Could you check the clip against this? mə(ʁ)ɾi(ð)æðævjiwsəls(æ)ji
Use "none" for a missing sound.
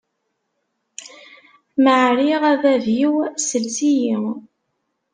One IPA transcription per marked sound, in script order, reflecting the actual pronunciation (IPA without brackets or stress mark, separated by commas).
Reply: ʕ, ʁ, i